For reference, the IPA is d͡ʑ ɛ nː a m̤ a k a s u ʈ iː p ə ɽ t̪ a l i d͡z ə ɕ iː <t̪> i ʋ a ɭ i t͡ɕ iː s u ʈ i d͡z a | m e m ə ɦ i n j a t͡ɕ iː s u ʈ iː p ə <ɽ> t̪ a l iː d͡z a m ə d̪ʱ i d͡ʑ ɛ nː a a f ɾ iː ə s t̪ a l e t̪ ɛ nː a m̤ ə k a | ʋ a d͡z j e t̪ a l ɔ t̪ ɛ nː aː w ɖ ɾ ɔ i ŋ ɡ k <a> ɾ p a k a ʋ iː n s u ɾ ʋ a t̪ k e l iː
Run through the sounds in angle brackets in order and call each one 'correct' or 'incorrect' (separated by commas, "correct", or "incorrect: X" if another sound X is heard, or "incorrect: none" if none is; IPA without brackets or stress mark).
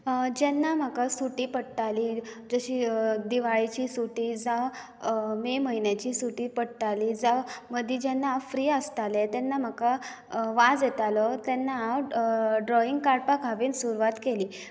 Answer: incorrect: d̪, correct, correct